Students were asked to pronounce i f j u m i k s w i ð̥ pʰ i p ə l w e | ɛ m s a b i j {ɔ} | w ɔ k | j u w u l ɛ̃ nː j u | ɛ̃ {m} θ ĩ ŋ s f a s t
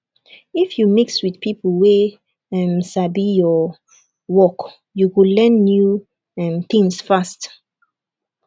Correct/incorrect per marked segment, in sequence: correct, correct

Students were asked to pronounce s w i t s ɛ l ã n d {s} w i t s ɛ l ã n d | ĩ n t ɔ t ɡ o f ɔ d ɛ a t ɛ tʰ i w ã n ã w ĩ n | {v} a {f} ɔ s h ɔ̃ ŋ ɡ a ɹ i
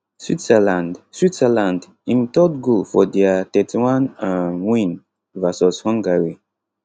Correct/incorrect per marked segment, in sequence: correct, correct, incorrect

